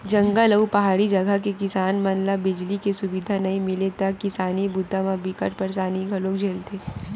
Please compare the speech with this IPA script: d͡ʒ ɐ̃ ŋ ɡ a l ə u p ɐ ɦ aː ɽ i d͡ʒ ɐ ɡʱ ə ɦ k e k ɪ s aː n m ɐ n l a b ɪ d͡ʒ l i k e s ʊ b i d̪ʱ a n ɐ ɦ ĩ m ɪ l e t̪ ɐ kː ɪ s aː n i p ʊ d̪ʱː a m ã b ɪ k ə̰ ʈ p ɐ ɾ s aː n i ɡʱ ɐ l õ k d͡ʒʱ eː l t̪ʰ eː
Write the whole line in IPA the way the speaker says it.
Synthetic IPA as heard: d͡ʒ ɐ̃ ŋ ɡ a l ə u p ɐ ɦ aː ɽ i d͡ʒ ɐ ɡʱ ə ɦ k e k ɪ s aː n m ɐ n l a b ɪ d͡ʒ l i k e s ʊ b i d̪ʱ a n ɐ ɦ ĩ m ɪ l e t̪ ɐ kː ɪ s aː n i b ʊ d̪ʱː a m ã b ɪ k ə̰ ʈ p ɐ ɾ s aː n i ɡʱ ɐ l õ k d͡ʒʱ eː l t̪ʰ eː